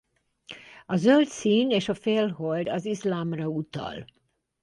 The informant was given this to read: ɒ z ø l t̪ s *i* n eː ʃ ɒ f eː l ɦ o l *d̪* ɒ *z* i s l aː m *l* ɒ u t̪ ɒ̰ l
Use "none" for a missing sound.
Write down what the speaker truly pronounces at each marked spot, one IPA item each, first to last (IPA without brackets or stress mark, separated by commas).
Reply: iː, d̪, z, r